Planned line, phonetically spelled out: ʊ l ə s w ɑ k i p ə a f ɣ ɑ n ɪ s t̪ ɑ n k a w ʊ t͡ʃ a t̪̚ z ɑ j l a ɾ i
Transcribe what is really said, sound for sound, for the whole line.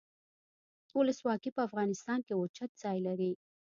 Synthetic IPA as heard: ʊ l ə s w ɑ k i p ə a f ɣ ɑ n ɪ s t̪ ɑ n k e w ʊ t͡ʃ a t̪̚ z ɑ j l a ɾ i